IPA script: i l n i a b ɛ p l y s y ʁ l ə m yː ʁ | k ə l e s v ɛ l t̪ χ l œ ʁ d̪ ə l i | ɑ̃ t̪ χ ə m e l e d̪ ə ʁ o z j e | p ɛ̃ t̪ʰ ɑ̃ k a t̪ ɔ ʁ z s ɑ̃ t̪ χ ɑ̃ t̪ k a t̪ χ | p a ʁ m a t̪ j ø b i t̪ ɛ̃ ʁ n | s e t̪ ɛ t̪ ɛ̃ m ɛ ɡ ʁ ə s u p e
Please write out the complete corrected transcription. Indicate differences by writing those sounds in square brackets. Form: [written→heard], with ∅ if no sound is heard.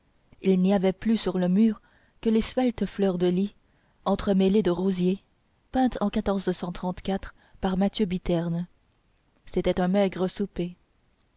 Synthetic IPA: i l n i a [b→v] ɛ p l y s y ʁ l ə m yː ʁ | k ə l e s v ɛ l t̪ [χ→f] l œ ʁ d̪ ə l i | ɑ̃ t̪ χ ə m e l e d̪ ə ʁ o z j e | p ɛ̃ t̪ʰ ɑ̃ k a t̪ ɔ ʁ z s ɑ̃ t̪ χ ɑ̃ t̪ k a t̪ χ | p a ʁ m a t̪ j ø b i t̪ [ɛ̃→ɛ] ʁ n | s e t̪ ɛ t̪ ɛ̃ m ɛ ɡ ʁ ə s u p e